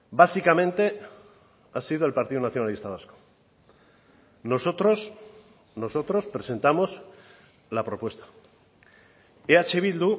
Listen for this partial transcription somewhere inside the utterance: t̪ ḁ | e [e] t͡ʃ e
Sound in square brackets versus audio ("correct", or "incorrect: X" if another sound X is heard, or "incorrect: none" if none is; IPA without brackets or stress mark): incorrect: a